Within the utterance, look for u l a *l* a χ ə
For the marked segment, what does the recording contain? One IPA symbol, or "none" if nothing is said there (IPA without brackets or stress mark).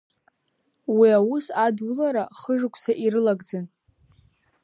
ɾ